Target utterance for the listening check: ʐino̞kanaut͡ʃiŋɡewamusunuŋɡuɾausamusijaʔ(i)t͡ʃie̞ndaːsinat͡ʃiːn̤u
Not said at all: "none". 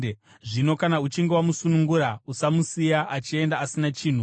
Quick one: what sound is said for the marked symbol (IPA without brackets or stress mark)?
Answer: a